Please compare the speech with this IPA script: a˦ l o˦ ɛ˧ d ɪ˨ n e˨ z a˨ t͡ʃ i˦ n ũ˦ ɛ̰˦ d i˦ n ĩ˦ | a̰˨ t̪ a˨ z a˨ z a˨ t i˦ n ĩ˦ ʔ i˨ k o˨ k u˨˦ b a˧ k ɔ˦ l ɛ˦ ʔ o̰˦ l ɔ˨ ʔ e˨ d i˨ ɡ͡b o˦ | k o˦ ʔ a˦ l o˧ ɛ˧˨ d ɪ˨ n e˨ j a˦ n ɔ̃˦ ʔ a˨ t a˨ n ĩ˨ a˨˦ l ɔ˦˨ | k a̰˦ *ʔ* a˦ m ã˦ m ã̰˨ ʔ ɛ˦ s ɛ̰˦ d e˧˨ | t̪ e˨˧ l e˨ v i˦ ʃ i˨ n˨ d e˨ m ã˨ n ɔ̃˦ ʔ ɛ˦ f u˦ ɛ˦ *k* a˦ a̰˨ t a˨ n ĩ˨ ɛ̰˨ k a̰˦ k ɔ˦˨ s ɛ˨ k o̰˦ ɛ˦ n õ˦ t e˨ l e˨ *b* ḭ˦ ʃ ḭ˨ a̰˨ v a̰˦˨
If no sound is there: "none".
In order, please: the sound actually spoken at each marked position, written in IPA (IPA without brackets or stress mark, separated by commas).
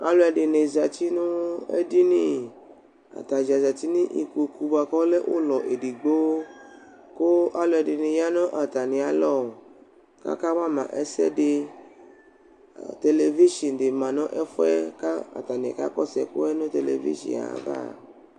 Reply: k, k, v